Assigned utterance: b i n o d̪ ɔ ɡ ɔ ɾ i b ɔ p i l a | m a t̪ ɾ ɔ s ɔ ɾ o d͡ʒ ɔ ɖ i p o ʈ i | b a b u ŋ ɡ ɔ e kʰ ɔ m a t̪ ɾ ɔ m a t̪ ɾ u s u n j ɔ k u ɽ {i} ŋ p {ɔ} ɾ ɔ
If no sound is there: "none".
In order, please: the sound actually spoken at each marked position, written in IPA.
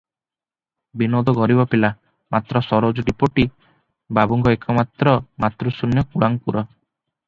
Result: a, u

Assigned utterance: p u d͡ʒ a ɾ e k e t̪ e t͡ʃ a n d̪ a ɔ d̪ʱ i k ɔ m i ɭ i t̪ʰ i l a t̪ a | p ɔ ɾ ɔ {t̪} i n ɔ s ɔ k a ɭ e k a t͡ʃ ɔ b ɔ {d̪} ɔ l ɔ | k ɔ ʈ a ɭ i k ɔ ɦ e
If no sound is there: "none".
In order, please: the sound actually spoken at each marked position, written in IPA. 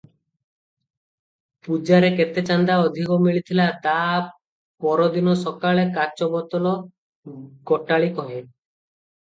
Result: d̪, t̪

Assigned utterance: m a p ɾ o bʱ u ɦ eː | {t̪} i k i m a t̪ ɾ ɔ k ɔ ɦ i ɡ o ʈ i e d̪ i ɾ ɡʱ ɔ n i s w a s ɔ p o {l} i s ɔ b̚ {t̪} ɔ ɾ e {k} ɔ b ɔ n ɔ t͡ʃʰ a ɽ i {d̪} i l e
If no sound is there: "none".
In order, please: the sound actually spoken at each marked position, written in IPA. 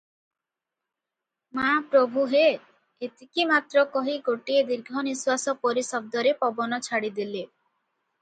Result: t̪, ɾ, d̪, p, d̪

